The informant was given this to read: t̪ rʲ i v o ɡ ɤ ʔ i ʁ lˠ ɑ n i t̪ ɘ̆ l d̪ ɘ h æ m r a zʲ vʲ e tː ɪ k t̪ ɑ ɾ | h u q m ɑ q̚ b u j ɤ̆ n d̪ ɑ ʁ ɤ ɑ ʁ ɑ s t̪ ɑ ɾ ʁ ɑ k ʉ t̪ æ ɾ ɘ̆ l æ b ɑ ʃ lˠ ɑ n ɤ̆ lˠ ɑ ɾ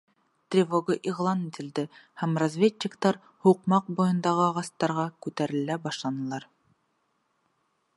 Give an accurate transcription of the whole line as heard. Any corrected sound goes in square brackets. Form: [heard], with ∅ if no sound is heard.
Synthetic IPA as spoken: t̪ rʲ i v o ɡ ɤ ʔ i ʁ lˠ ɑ n i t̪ ɘ̆ l d̪ ɘ h æ m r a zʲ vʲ e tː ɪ k t̪ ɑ ɾ | h u q m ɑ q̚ b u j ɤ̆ n d̪ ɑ ʁ ɤ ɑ ʁ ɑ s t̪ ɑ ɾ ʁ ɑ k ʉ t̪ æ ɾ ɘ̆ l æ b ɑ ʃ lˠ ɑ n ɤ̆ lˠ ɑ ɾ